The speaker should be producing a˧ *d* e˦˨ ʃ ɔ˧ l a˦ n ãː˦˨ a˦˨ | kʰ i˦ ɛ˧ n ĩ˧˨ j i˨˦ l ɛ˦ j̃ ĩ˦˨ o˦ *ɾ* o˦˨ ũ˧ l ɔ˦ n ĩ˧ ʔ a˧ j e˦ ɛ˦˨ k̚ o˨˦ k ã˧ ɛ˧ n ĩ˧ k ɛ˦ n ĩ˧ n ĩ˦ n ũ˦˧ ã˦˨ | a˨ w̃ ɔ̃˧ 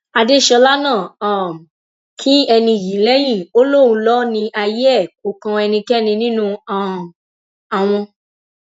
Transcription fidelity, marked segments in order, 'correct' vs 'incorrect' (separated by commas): correct, incorrect